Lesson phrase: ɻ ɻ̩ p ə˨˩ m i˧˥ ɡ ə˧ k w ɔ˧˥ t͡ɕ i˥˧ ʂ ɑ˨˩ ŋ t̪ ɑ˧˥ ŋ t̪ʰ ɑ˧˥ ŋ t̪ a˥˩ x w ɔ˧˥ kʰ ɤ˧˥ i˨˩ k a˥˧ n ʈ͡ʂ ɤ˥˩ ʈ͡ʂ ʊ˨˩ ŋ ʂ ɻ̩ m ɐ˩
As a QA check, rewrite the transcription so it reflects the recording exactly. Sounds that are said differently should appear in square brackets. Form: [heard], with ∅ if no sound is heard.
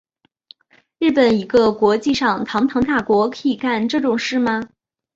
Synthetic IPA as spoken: ɻ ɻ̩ p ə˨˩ [n] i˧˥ ɡ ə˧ k w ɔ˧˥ t͡ɕ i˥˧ ʂ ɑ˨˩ ŋ [t̪ʰ] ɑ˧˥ ŋ t̪ʰ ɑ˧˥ ŋ t̪ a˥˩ [k] w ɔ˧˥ kʰ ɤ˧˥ i˨˩ k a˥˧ n ʈ͡ʂ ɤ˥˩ ʈ͡ʂ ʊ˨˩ ŋ ʂ ɻ̩ m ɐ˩